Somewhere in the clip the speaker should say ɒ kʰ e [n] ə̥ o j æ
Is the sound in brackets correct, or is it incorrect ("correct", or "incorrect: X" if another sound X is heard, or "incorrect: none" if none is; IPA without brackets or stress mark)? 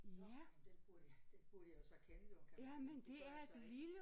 correct